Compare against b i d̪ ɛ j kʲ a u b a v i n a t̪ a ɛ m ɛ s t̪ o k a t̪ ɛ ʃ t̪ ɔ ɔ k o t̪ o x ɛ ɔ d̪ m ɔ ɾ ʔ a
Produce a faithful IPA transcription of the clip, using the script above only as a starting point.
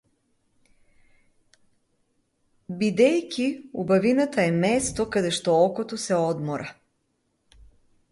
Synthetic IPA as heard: b i d̪ ɛ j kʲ i u b a v i n a t̪ a ɛ m ɛ s t̪ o k a d̪ ɛ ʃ t̪ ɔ ɔ k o t̪ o s ɛ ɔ d̪ m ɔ ɾ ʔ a